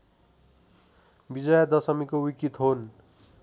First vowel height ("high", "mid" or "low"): high